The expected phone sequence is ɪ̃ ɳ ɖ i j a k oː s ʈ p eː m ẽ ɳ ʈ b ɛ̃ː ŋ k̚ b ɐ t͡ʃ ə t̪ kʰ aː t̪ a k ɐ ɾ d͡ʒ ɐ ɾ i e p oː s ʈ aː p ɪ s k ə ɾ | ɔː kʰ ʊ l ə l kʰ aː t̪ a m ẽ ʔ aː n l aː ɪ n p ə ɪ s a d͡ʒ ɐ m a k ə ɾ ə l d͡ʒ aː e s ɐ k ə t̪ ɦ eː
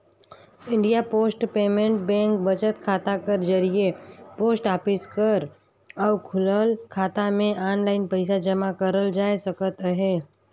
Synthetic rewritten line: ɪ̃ ɳ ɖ i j a p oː s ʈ p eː m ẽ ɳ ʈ b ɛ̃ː ŋ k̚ b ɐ t͡ʃ ə t̪ kʰ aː t̪ a k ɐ ɾ d͡ʒ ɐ ɾ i e p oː s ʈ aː p ɪ s k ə ɾ | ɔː kʰ ʊ l ə l kʰ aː t̪ a m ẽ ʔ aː n l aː ɪ n p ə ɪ s a d͡ʒ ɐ m a k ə ɾ ə l d͡ʒ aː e s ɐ k ə t̪ ɦ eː

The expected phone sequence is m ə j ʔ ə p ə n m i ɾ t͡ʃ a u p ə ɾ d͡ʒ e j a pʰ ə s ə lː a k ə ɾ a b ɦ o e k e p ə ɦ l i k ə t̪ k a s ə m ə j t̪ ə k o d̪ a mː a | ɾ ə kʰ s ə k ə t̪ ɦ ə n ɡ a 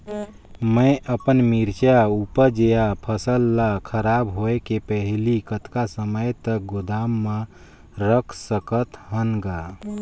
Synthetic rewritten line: m ə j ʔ ə p ə n m i ɾ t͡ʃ a u p ə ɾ d͡ʒ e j a pʰ ə s ə lː a kʰ ə ɾ a b ɦ o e k e p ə ɦ l i k ə t̪ k a s ə m ə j t̪ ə ɡ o d̪ a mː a | ɾ ə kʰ s ə k ə t̪ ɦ ə n ɡ a

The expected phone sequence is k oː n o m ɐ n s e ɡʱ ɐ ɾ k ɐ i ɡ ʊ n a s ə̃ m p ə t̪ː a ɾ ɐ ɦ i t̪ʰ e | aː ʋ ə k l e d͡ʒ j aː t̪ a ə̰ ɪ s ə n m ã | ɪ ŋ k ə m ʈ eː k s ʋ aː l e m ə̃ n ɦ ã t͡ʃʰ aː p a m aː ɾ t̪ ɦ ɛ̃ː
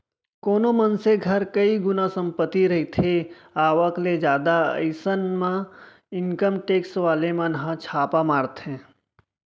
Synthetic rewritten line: k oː n o m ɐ n s e ɡʱ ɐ ɾ k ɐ i ɡ ʊ n a s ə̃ m p ə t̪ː i ɾ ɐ ɦ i t̪ʰ e | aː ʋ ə k l e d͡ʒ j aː d̪ a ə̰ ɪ s ə n m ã | ɪ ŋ k ə m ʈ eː k s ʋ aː l e m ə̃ n ɦ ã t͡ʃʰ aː p a m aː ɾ t̪ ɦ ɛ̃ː

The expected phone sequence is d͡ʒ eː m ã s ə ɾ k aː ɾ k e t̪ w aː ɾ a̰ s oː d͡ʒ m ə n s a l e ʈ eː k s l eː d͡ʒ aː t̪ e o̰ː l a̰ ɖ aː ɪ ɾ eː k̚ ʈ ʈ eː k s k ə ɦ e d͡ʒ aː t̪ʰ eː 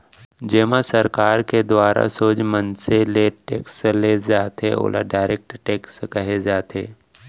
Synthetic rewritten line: d͡ʒ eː m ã s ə ɾ k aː ɾ k e d̪ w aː ɾ a̰ s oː d͡ʒ m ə n s e l e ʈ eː k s l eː d͡ʒ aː t̪ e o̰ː l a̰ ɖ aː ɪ ɾ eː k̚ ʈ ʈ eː k s k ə ɦ e d͡ʒ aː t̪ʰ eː

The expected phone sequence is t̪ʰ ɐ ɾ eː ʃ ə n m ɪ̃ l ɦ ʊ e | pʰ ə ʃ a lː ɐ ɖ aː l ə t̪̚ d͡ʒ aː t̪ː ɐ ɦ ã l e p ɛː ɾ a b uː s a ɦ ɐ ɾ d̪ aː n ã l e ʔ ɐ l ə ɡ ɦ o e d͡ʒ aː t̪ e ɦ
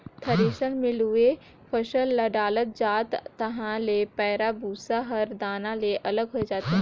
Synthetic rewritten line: t̪ʰ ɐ ɾ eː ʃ ə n m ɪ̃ l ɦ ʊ e | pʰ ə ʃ ə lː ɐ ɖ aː l ə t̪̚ d͡ʒ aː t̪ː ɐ ɦ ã l e p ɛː ɾ a b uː s a ɦ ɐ ɾ d̪ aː n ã l e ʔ ɐ l ə ɡ ɦ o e d͡ʒ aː t̪ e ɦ

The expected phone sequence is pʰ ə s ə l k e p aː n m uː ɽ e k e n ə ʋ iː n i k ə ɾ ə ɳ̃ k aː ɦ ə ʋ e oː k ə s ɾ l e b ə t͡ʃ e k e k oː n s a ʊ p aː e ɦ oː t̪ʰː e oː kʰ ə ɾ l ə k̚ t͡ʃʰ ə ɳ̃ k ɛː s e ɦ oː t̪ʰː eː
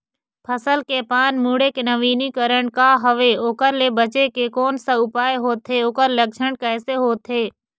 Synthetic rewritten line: pʰ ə s ə l k e p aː n m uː ɽ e k e n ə ʋ iː n i k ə ɾ ə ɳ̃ k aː ɦ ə ʋ e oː k ə ɾ l e b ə t͡ʃ e k e k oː n s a ʊ p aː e ɦ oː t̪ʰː e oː k ə ɾ l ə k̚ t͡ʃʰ ə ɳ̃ k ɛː s e ɦ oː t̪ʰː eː

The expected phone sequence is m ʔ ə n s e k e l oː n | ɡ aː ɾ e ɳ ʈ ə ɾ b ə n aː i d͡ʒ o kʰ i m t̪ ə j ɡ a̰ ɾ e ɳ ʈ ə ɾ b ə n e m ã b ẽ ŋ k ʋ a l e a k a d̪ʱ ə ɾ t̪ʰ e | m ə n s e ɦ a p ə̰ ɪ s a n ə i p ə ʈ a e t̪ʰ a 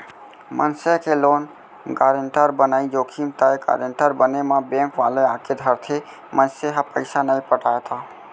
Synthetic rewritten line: m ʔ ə n s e k e l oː n | ɡ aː ɾ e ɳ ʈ ə ɾ b ə n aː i d͡ʒ o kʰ i m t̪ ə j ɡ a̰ ɾ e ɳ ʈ ə ɾ b ə n e m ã b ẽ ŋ k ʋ a l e a k e d̪ʱ ə ɾ t̪ʰ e | m ə n s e ɦ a p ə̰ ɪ s a n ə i p ə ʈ a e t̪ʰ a

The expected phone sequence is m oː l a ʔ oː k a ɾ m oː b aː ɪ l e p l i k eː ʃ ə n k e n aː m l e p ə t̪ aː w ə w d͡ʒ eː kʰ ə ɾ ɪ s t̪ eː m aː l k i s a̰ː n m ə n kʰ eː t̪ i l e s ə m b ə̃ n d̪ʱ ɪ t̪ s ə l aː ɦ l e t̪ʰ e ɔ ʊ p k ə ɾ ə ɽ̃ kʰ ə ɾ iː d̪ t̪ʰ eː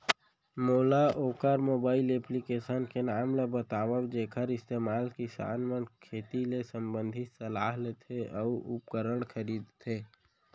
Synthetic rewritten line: m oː l a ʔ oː k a ɾ m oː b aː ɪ l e p l i k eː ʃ ə n k e n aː m l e b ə t̪ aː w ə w d͡ʒ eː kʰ ə ɾ ɪ s t̪ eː m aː l k i s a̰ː n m ə n kʰ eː t̪ i l e s ə m b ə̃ n d̪ʱ ɪ t̪ s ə l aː ɦ l e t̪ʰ e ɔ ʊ p k ə ɾ ə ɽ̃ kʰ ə ɾ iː d̪ t̪ʰ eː

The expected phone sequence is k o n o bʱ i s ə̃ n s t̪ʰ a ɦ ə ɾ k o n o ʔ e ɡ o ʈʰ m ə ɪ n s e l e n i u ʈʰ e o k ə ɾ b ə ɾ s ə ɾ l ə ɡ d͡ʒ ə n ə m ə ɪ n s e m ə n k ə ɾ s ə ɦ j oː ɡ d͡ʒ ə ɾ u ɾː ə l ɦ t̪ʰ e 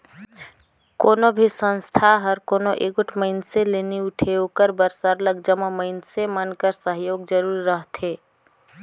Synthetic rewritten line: k o n o bʱ i s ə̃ n s t̪ʰ a ɦ ə ɾ k o n o ʔ e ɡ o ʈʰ m ə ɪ n s e l e n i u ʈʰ e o k ə ɾ b ə ɾ s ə ɾ l ə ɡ d͡ʒ ə m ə m ə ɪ n s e m ə n k ə ɾ s ə ɦ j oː ɡ d͡ʒ ə ɾ u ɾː ə ɦ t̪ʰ e

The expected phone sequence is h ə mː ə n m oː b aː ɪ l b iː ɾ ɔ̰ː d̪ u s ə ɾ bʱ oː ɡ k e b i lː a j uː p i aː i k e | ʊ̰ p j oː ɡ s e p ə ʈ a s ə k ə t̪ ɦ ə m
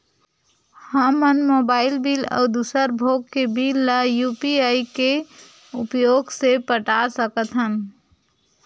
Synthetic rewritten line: h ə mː ə n m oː b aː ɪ l b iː l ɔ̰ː d̪ u s ə ɾ bʱ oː ɡ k e b i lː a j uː p i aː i k e | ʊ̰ p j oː ɡ s e p ə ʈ a s ə k ə t̪ ɦ ə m

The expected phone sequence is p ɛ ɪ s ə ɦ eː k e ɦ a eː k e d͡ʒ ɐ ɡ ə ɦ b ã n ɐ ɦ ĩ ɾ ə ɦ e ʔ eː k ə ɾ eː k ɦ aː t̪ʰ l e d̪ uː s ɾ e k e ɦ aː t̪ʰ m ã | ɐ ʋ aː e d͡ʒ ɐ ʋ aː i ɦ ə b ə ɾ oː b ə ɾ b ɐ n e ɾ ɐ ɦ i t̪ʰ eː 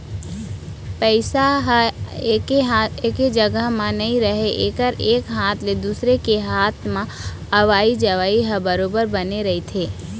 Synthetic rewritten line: p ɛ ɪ s a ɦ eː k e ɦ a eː k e d͡ʒ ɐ ɡ ə ɦ m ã n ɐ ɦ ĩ ɾ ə ɦ e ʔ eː k ə ɾ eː k ɦ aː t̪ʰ l e d̪ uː s ɾ e k e ɦ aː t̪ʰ m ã | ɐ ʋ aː i d͡ʒ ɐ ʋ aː i ɦ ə b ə ɾ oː b ə ɾ b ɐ n e ɾ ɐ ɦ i t̪ʰ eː

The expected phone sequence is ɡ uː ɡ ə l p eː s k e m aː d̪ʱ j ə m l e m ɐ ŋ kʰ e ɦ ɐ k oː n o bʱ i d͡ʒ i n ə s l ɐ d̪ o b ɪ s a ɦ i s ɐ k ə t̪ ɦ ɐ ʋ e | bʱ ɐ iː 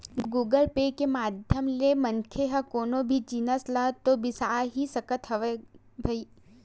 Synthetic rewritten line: ɡ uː ɡ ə l p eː k e m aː d̪ʱ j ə m l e m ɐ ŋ kʰ e ɦ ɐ k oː n o bʱ i d͡ʒ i n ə s l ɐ t̪ o b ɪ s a ɦ i s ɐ k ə t̪ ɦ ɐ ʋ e | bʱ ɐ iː

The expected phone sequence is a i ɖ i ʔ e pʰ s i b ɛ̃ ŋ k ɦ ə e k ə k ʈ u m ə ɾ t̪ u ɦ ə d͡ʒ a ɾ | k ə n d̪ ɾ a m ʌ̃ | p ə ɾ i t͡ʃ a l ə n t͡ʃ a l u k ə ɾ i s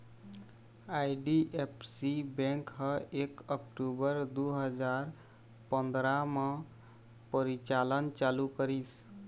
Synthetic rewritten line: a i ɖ i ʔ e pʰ s i b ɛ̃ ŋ k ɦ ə e k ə k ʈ u b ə ɾ d̪ u ɦ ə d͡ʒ a ɾ | p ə n d̪ ɾ a m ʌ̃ | p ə ɾ i t͡ʃ a l ə n t͡ʃ a l u k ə ɾ i s

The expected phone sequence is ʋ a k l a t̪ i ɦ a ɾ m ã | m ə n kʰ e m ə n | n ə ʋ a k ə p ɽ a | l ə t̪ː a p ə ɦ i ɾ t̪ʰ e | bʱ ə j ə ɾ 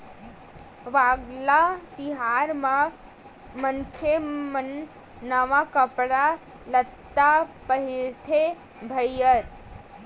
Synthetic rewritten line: ʋ a ɡ l a t̪ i ɦ a ɾ m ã | m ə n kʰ e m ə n | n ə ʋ a k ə p ɽ a | l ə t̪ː a p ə ɦ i ɾ t̪ʰ e | bʱ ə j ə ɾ

